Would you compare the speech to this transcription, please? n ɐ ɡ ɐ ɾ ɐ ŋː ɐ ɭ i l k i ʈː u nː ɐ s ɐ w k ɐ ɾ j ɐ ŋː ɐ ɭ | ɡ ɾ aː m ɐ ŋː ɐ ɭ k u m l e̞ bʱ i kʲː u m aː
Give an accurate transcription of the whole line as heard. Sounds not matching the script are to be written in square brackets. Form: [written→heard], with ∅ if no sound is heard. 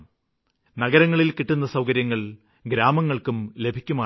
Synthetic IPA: n ɐ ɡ ɐ ɾ ɐ ŋː ɐ ɭ i l k i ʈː u nː ɐ s ɐ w k ɐ ɾ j ɐ ŋː ɐ ɭ | ɡ ɾ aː m ɐ ŋː ɐ ɭ k u m l e̞ bʱ i kʲː u m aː